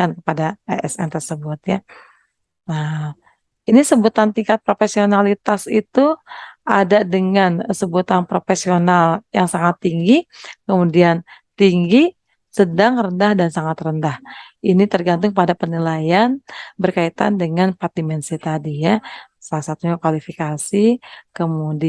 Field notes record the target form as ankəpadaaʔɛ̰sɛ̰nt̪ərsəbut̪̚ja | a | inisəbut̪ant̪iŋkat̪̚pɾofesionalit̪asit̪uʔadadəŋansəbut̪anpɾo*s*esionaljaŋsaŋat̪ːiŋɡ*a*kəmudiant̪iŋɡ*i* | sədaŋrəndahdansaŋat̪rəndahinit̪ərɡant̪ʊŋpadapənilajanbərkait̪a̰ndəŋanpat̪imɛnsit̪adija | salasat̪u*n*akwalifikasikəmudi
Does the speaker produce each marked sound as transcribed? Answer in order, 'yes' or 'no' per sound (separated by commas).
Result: no, no, yes, no